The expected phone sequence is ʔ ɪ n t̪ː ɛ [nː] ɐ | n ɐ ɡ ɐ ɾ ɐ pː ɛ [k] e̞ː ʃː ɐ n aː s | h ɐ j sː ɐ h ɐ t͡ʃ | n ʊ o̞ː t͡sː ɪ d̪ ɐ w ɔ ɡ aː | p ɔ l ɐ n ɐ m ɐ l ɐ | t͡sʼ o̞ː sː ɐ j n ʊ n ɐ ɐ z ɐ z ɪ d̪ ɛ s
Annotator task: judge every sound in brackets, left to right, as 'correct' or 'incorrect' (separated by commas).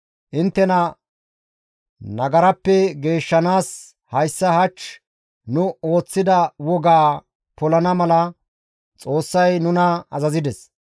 incorrect, incorrect